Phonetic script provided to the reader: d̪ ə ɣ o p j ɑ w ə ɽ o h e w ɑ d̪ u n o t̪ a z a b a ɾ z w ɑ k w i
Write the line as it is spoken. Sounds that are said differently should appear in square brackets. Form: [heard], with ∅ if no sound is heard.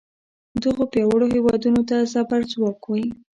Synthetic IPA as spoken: d̪ ə ɣ o p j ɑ w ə ɽ o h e w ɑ d̪ u n o t̪ a z a b a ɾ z w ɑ k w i